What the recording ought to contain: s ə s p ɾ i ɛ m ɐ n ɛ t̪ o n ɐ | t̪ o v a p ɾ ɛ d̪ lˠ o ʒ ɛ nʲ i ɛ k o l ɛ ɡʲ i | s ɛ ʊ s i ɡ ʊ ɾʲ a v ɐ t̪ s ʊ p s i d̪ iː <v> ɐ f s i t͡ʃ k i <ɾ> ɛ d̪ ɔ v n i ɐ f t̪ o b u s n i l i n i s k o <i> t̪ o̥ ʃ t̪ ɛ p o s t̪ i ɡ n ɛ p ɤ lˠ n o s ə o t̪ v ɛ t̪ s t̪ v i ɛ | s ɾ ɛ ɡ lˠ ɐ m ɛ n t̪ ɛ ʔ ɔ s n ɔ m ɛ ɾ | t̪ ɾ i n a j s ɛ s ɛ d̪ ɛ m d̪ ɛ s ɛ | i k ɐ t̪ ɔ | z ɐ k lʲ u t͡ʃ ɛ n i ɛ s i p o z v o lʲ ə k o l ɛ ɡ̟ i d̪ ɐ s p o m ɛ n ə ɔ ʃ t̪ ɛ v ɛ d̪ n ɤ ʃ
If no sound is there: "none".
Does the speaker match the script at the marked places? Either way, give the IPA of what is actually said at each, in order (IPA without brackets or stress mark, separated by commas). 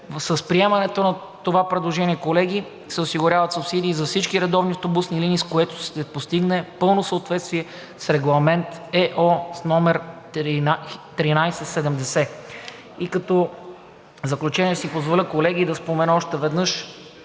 z, ɾ, ɛ